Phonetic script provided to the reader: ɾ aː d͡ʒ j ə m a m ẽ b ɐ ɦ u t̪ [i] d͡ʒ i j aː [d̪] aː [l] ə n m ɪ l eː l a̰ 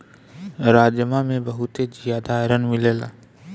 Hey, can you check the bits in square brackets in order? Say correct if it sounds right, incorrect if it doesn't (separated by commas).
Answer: incorrect, correct, incorrect